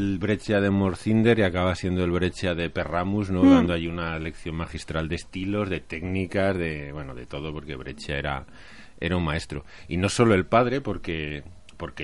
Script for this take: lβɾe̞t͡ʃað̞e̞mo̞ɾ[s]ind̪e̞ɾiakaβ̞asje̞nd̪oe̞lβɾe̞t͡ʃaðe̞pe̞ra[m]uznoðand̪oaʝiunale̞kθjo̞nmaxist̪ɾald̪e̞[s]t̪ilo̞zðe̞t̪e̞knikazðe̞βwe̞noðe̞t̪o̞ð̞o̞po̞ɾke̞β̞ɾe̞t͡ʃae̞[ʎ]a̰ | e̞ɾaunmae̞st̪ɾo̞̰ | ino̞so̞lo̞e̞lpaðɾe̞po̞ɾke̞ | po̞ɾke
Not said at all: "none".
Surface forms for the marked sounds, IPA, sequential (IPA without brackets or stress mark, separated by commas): θ, m, s, ɾ